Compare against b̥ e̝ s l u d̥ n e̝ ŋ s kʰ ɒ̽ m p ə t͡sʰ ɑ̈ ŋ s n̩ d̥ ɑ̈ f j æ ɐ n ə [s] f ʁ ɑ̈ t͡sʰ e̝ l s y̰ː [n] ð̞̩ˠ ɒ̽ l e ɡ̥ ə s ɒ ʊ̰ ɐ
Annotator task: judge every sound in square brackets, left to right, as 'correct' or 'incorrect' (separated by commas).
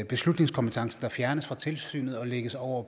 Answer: correct, correct